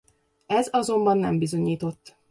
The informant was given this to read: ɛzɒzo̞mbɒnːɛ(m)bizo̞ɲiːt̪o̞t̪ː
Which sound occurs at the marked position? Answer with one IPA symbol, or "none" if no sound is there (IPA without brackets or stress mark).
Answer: m